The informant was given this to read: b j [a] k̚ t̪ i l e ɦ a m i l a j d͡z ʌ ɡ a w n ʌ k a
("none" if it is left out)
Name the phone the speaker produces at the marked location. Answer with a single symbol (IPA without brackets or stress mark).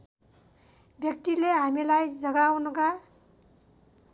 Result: ʌ